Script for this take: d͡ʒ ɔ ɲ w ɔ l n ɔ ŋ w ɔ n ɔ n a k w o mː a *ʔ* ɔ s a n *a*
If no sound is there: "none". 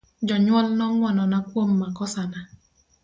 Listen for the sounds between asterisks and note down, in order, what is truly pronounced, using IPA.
k, a

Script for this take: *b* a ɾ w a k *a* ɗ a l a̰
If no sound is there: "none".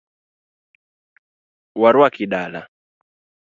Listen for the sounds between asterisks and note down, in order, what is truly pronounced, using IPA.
w, i

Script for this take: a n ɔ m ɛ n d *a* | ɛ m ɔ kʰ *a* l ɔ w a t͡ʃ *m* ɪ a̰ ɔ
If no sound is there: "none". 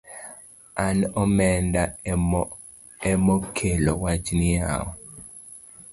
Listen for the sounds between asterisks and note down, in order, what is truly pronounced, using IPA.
a, e, n

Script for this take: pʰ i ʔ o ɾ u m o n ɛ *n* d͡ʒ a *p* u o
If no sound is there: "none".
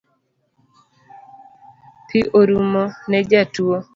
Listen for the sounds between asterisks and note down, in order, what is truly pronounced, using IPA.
none, t

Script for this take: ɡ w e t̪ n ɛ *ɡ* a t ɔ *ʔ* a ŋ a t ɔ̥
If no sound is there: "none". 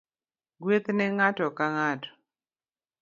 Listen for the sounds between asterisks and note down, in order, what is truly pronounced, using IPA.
ŋ, k

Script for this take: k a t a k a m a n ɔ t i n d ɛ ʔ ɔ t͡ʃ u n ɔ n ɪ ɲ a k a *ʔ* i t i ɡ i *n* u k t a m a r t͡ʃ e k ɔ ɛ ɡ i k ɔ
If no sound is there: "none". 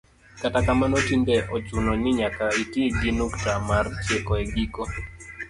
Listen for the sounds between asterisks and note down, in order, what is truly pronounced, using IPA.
none, n

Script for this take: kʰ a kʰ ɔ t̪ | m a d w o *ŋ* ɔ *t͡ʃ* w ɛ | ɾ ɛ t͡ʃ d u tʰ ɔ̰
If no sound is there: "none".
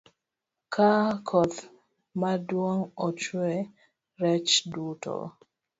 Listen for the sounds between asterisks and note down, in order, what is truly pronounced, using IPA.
ŋ, t͡ʃ

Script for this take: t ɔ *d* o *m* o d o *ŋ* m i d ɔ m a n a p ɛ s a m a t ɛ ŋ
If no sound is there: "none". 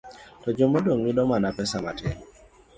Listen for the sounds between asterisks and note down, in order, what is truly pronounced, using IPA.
d͡ʒ, m, ŋ

